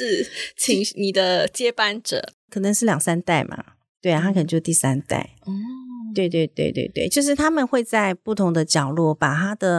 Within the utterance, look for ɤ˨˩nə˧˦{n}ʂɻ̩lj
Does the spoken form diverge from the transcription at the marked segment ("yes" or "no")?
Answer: yes